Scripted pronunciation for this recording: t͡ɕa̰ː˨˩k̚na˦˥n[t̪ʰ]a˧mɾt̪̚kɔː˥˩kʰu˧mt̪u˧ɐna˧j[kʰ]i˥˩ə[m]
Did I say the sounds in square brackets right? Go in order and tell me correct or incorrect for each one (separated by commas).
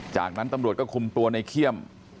incorrect, correct, correct